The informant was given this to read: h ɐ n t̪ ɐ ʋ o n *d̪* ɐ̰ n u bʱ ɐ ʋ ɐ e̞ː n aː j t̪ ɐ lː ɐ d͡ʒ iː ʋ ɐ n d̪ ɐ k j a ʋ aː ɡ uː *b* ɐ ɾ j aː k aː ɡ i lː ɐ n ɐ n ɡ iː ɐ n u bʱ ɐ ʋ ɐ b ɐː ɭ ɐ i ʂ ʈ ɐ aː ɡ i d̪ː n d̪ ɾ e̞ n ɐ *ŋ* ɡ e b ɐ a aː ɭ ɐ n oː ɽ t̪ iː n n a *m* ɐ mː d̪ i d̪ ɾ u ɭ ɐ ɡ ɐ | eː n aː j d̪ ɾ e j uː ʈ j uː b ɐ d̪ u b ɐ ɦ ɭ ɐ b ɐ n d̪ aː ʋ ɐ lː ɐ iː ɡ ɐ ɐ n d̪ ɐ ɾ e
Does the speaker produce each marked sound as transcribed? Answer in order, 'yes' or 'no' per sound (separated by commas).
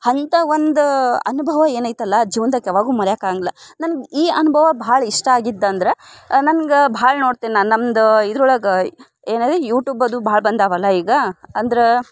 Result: yes, no, no, no